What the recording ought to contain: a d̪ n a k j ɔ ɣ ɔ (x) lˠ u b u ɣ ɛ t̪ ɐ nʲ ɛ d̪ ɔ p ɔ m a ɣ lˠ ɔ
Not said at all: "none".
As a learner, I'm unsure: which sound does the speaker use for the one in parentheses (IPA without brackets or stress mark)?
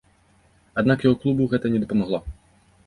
k